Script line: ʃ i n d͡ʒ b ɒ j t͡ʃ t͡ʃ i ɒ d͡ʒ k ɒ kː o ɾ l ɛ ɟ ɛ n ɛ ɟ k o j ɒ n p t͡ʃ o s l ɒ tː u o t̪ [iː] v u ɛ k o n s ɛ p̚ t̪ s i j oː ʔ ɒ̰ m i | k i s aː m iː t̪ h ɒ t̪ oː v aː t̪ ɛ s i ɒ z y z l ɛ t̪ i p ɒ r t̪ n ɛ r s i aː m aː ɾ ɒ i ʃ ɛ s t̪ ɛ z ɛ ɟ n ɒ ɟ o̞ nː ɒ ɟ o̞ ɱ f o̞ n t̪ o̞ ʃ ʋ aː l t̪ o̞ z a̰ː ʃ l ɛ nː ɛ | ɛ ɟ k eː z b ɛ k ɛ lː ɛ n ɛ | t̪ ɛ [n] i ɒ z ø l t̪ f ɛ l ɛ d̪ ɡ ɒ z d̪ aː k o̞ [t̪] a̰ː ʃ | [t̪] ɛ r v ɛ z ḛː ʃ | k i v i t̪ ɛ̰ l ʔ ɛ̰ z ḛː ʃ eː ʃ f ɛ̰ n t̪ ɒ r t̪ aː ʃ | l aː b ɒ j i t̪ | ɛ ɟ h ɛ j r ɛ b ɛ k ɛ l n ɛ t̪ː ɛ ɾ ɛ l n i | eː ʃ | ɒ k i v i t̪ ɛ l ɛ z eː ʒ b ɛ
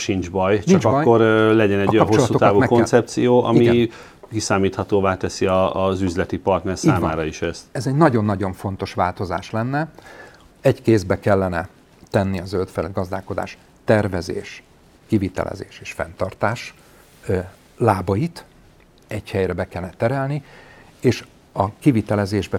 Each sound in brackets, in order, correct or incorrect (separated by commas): incorrect, incorrect, incorrect, correct